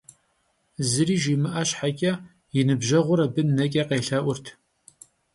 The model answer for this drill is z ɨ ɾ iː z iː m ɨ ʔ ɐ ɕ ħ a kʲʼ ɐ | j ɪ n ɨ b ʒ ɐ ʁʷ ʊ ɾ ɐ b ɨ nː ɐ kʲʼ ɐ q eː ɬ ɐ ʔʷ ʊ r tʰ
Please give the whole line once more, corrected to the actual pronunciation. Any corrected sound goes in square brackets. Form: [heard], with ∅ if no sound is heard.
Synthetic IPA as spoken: z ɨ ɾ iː [ʒ] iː m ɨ ʔ ɐ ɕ ħ a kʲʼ ɐ | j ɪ n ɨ b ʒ ɐ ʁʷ ʊ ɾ ɐ b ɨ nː ɐ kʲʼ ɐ q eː ɬ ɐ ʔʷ ʊ r tʰ

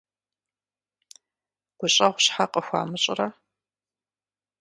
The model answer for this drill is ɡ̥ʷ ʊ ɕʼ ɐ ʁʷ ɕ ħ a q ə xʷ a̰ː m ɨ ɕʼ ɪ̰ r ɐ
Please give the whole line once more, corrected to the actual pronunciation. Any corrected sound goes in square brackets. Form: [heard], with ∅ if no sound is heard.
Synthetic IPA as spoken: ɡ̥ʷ ʊ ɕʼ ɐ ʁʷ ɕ ħ a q ə xʷ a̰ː m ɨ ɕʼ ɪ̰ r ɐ

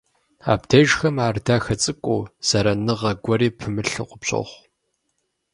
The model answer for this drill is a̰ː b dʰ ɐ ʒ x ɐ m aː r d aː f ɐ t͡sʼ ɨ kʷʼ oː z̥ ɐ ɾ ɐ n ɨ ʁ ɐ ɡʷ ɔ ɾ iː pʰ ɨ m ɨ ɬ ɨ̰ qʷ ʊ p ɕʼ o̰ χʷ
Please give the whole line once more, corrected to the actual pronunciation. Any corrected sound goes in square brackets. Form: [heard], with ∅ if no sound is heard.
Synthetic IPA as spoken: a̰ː b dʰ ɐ ʒ x ɐ m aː r d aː [x] ɐ t͡sʼ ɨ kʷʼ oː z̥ ɐ ɾ ɐ n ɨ ʁ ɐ ɡʷ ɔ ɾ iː pʰ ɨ m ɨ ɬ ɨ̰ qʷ ʊ p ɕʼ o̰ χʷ

